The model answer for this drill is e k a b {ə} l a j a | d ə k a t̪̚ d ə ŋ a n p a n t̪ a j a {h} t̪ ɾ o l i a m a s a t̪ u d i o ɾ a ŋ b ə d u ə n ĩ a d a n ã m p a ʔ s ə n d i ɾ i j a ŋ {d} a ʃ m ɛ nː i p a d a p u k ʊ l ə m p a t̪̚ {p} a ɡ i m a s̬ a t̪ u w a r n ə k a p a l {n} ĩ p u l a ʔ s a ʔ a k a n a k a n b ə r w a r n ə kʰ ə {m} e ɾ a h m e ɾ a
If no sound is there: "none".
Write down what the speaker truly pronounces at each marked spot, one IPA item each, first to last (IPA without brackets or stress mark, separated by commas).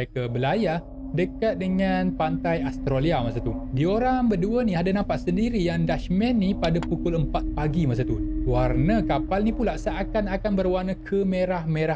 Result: ə, s, d, p, n, m